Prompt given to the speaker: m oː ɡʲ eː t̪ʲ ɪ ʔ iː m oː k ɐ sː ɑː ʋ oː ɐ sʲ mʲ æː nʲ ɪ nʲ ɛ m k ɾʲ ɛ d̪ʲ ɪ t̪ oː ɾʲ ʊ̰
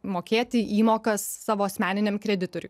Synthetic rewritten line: m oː kʲ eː t̪ʲ ɪ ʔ iː m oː k ɐ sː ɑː ʋ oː ɐ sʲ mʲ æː nʲ ɪ nʲ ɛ m k ɾʲ ɛ d̪ʲ ɪ t̪ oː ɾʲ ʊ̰